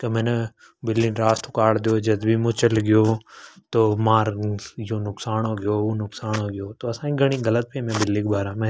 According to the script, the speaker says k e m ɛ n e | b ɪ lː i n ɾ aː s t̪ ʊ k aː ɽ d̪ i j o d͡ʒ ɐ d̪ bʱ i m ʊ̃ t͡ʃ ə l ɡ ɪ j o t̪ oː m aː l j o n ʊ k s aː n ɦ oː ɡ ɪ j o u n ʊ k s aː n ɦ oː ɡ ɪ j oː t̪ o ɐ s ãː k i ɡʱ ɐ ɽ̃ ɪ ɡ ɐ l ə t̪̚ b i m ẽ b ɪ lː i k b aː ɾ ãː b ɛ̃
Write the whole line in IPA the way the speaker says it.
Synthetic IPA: k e m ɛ n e | b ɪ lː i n ɾ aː s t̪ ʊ k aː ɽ d̪ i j o d͡ʒ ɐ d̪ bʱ i m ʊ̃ t͡ʃ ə l ɡ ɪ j o t̪ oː m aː ɾ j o n ʊ k s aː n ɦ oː ɡ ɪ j o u n ʊ k s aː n ɦ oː ɡ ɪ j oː t̪ o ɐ s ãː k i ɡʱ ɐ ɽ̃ i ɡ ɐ l ə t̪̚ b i m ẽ b ɪ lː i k b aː ɾ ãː m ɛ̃